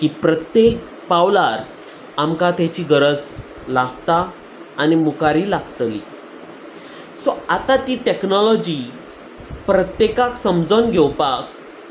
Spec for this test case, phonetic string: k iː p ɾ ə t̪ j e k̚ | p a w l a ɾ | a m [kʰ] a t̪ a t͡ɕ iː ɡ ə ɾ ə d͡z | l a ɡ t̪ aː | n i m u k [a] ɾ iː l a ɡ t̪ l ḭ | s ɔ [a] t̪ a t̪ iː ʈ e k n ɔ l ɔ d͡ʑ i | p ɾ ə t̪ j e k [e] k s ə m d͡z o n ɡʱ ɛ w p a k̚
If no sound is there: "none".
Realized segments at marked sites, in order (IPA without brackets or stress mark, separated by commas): k, a, a, a